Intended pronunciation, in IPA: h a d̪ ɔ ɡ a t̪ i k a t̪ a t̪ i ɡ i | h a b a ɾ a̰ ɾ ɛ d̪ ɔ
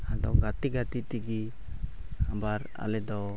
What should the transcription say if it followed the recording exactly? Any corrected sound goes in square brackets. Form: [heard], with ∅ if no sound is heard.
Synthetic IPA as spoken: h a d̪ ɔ ɡ a t̪ i [ɡ] a t̪ [i] t̪ i ɡ i | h a b a ɾ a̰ [l] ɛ d̪ ɔ

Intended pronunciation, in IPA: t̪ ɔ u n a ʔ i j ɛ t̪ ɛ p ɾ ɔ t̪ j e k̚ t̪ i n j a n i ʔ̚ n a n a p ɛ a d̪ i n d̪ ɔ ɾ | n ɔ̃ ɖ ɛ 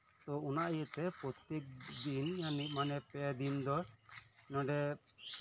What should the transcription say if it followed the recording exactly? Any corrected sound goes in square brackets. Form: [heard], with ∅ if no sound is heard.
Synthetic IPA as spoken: t̪ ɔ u n a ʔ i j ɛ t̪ ɛ p ɾ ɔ t̪ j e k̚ [d̪] i n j a n i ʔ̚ [m] a n [ɛ] p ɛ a d̪ i n d̪ ɔ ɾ | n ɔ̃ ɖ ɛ

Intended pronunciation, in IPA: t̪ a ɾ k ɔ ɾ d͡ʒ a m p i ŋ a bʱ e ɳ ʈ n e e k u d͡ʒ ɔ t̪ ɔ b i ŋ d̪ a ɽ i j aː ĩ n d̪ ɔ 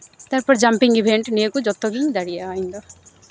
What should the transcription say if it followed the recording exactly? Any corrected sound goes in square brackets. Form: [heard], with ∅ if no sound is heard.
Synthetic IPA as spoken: t̪ a ɾ [p] ɔ ɾ d͡ʒ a m p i ŋ [i] bʱ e ɳ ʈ n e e k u d͡ʒ ɔ t̪ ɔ [ɡ] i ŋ d̪ a ɽ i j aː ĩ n d̪ ɔ

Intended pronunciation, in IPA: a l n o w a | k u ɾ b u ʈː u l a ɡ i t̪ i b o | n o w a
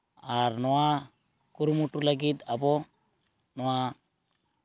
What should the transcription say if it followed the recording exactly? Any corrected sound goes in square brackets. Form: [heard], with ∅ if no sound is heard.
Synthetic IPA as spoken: a [ɾ] n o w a | k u ɾ [m] u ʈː u l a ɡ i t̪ [a] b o | n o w a

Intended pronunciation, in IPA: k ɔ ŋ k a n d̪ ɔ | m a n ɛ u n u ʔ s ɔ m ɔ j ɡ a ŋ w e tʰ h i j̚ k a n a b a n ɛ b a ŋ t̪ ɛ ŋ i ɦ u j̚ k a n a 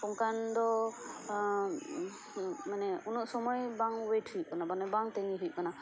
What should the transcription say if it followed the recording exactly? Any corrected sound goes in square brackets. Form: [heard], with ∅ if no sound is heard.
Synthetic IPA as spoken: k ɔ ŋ k a n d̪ ɔ | m a n ɛ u n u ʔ s ɔ m ɔ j [b] a ŋ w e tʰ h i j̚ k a n a b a n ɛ b a ŋ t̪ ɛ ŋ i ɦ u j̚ k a n a

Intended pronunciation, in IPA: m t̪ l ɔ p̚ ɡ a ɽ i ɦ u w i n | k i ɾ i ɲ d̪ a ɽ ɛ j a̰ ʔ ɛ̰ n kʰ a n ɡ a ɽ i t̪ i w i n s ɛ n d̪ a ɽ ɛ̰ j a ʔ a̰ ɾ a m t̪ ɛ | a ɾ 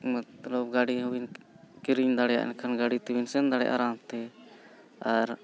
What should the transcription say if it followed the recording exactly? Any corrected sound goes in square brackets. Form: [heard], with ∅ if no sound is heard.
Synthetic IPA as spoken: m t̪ l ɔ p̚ ɡ a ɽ i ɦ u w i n | k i ɾ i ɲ d̪ a ɽ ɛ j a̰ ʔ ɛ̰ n kʰ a n ɡ a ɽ i t̪ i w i n s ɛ n d̪ a ɽ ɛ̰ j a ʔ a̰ ɾ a m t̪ ɛ | a ɾ

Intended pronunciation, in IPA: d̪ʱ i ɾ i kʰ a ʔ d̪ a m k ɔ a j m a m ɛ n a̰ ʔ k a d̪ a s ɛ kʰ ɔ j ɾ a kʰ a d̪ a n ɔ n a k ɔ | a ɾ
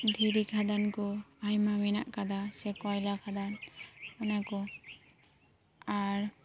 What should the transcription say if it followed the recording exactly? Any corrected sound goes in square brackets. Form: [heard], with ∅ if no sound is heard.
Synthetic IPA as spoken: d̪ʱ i ɾ i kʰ a [∅] d̪ a [n] k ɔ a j m a m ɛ n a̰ ʔ k a d̪ a s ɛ [k] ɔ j [l] a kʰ a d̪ a n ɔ n a k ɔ | a ɾ

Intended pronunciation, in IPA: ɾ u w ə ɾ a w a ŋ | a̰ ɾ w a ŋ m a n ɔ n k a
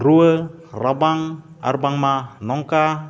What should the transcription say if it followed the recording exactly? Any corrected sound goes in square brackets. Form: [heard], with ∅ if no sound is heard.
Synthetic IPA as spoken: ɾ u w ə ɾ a [b] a ŋ | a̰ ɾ [b] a ŋ m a n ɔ [ŋ] k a

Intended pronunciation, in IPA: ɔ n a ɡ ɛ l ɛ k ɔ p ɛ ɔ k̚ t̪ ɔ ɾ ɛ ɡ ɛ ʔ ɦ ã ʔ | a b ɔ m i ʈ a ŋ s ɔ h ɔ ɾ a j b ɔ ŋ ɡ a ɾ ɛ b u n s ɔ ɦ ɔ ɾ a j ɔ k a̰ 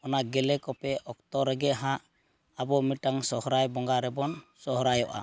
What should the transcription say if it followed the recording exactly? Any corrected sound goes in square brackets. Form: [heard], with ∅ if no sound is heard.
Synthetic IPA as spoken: ɔ n a ɡ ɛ l ɛ k ɔ p ɛ ɔ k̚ t̪ ɔ ɾ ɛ ɡ ɛ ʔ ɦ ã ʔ | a b ɔ m i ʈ a ŋ s ɔ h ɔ ɾ a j b ɔ ŋ ɡ a ɾ ɛ b [ɔ] n s ɔ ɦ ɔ ɾ a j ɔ [ʔ] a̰

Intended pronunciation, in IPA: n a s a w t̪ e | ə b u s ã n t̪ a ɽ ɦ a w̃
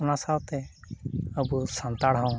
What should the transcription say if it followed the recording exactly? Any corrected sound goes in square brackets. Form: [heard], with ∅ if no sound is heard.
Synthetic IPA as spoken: n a s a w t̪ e | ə b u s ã n t̪ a ɽ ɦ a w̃

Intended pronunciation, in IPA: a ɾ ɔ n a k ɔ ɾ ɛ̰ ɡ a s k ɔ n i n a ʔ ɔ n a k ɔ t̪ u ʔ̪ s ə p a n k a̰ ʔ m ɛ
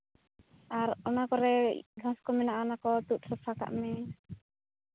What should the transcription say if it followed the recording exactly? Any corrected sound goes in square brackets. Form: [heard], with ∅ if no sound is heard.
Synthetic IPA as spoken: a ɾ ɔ n a k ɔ ɾ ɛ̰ ɡ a s k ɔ [m] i n a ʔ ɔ n a k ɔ t̪ u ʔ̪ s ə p a [∅] k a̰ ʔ m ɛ

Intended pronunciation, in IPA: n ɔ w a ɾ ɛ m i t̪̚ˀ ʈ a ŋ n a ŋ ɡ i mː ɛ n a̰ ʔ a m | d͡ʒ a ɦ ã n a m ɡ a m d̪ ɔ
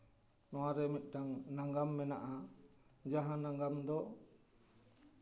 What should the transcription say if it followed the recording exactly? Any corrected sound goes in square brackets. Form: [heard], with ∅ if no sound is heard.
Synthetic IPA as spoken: n ɔ w a ɾ ɛ m i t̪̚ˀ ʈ a ŋ n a ŋ ɡ [a] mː ɛ n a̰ ʔ a [∅] | d͡ʒ a ɦ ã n a [ŋ] ɡ a m d̪ ɔ

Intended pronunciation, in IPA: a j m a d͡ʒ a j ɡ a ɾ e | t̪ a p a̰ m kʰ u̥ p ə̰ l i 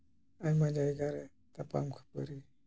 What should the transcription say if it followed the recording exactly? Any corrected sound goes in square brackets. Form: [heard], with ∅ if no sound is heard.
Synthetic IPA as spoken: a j m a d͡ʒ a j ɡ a ɾ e | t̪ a p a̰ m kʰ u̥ p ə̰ [ɾ] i

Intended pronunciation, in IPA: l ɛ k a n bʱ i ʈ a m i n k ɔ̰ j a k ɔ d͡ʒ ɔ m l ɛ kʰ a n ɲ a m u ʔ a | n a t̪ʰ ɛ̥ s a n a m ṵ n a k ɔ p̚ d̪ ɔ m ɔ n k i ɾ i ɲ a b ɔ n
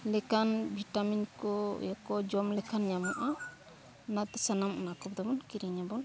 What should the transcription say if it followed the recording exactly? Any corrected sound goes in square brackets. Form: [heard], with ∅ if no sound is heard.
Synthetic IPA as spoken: l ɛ k a n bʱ i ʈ a m i n k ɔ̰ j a k ɔ d͡ʒ ɔ m l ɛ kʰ a n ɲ a m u ʔ a | n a [t̪] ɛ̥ s a n a m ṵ n a k ɔ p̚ d̪ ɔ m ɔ n k i ɾ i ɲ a b ɔ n

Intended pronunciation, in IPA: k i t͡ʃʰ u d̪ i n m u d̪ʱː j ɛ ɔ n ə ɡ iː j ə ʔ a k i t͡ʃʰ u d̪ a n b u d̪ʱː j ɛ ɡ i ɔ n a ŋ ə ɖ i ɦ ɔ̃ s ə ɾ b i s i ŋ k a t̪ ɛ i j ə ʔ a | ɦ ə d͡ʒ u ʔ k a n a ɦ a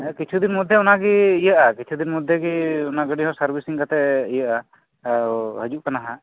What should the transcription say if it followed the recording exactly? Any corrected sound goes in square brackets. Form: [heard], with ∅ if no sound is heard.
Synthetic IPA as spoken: k i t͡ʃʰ u d̪ i n m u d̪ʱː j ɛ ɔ n [a] ɡ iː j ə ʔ a k i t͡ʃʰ u d̪ [i] n [m] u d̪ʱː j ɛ ɡ i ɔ n a [ɡ] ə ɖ i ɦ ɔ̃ s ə ɾ b i s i ŋ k a t̪ ɛ i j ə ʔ a | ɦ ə d͡ʒ u ʔ k a n a ɦ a

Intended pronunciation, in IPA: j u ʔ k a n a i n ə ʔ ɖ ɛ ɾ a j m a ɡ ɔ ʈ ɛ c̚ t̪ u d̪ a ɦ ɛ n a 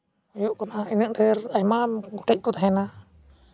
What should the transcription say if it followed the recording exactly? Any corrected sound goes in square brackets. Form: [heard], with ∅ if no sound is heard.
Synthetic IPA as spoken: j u ʔ k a n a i n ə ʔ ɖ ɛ ɾ a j m a ɡ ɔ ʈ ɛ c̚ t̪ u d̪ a ɦ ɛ n a

